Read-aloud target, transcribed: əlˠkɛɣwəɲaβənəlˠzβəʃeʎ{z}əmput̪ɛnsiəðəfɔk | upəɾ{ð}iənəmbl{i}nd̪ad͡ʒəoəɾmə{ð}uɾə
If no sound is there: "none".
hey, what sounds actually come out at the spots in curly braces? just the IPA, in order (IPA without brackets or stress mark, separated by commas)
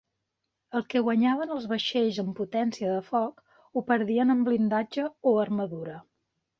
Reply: z, ð, i, ð